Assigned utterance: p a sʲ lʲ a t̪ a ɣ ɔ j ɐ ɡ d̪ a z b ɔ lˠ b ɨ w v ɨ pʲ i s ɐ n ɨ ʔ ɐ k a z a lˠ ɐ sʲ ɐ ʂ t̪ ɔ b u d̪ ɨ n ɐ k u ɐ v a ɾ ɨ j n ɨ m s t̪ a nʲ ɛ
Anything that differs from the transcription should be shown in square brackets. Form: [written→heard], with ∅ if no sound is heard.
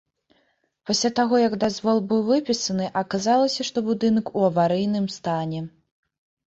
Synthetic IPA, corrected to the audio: p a sʲ lʲ a t̪ a ɣ ɔ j ɐ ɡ d̪ a z [b→v] ɔ lˠ b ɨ w v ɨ pʲ i s ɐ n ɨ ʔ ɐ k a z a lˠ ɐ sʲ ɐ ʂ t̪ ɔ b u d̪ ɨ n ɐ k u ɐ v a ɾ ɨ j n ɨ m s t̪ a nʲ ɛ